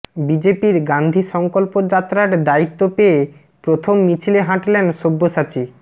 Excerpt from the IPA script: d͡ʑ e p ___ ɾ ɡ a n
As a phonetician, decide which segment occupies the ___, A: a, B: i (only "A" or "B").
B